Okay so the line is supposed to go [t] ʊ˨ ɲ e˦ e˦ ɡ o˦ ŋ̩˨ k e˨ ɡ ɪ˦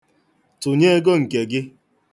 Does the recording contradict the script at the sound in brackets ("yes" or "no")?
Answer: no